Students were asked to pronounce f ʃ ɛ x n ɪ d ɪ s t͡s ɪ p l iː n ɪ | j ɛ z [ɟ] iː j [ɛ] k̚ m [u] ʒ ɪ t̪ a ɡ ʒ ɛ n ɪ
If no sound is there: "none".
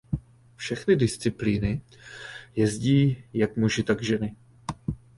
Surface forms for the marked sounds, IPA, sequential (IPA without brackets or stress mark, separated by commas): ɟ, a, u